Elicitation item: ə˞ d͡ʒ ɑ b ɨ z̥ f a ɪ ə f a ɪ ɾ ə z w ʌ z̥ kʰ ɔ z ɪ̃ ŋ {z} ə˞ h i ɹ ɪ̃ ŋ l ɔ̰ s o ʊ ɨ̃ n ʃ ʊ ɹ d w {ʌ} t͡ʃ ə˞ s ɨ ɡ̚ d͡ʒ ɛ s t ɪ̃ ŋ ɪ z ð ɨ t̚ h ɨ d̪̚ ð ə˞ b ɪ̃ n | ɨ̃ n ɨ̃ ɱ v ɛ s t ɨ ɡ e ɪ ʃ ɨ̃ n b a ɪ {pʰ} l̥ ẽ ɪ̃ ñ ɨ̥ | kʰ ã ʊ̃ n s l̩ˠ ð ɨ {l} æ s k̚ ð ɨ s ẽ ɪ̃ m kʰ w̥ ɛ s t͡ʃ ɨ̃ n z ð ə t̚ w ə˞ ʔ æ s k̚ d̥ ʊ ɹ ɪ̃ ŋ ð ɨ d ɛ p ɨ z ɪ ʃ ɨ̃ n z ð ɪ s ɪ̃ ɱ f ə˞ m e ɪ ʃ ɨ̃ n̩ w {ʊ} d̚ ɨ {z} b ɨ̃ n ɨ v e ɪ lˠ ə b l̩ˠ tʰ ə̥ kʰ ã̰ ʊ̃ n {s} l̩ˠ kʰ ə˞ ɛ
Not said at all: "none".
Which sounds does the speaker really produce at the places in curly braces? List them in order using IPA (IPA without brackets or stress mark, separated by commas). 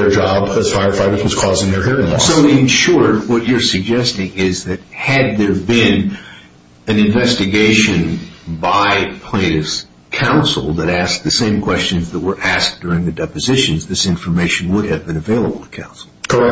ð, ʌ, pʰ, ɾ, ʊ, v, s